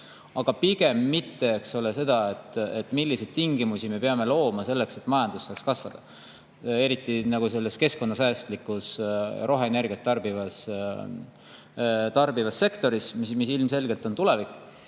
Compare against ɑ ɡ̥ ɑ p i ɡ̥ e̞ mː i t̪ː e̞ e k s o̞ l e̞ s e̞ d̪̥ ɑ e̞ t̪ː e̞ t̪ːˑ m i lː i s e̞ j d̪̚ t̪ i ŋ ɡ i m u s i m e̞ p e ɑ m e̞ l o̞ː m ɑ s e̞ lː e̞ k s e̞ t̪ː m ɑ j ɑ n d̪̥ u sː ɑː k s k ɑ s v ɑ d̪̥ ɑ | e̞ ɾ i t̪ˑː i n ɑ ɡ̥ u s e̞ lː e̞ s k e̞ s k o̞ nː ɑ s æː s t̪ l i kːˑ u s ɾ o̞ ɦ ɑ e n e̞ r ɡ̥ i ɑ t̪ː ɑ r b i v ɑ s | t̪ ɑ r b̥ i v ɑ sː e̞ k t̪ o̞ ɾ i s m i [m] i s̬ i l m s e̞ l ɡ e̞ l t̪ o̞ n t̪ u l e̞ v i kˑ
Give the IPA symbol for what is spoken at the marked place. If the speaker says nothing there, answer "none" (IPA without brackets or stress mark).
m